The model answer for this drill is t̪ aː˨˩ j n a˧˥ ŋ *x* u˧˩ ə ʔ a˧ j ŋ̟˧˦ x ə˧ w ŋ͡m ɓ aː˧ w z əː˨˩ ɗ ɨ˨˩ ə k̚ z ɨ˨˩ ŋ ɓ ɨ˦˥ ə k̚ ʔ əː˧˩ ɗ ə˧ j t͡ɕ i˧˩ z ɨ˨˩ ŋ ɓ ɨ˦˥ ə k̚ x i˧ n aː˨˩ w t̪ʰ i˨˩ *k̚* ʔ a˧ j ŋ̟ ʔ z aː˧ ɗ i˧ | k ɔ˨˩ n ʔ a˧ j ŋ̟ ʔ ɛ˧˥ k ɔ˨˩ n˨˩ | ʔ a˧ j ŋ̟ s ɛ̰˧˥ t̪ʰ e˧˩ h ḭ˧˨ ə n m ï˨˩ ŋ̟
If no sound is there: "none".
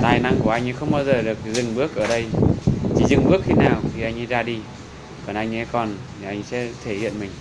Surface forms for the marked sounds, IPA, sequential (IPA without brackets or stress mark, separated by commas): k, none